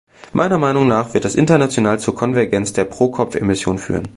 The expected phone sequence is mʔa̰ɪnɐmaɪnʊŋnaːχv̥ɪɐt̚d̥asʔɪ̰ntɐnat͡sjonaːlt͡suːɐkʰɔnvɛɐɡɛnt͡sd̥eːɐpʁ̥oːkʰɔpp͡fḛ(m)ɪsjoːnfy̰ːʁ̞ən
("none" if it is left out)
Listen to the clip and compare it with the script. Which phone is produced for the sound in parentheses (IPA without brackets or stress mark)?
m